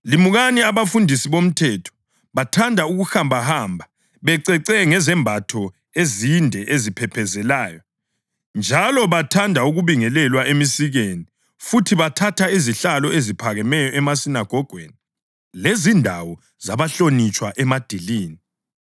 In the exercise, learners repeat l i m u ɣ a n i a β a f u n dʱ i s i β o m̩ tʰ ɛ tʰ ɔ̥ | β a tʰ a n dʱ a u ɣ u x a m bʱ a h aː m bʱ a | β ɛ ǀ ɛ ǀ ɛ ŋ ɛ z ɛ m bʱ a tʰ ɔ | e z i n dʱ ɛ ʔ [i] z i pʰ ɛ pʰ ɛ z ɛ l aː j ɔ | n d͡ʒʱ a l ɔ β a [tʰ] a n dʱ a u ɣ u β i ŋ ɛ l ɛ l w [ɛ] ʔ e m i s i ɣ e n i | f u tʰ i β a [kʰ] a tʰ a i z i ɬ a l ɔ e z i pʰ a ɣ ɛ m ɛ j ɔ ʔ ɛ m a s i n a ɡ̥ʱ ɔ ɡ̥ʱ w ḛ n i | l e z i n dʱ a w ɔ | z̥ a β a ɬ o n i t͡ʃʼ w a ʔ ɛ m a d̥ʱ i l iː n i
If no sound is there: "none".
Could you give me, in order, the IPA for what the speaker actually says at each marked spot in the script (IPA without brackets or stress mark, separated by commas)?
e, tʰ, a, tʰ